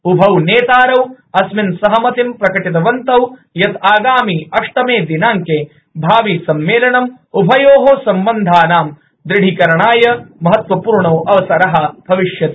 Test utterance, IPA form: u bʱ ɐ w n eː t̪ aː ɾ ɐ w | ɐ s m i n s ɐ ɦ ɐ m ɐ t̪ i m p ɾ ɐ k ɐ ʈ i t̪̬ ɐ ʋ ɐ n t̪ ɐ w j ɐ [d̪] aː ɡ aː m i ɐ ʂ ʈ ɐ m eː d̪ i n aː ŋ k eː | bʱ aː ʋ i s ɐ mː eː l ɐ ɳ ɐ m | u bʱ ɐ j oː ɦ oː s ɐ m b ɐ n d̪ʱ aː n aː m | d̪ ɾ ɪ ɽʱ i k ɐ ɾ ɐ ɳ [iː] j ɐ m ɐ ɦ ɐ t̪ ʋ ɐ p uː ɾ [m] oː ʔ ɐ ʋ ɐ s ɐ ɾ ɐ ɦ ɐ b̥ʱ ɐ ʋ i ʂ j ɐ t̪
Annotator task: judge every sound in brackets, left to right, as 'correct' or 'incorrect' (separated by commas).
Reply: incorrect, incorrect, incorrect